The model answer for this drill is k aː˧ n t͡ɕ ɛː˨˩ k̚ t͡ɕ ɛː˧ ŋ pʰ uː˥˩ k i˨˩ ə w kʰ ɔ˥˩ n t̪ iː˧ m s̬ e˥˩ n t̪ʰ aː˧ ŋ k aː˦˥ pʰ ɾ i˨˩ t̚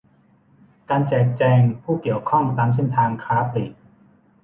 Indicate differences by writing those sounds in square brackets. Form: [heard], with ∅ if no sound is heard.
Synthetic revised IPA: k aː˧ n t͡ɕ ɛː˨˩ k̚ t͡ɕ ɛː˧ ŋ pʰ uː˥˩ k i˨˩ ə w kʰ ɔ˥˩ [ŋ] t̪ [aː˧] m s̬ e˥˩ n t̪ʰ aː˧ ŋ [kʰ] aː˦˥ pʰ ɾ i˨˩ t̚